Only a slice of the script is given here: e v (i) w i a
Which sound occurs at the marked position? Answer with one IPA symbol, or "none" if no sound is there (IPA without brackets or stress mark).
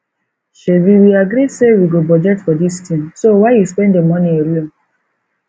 i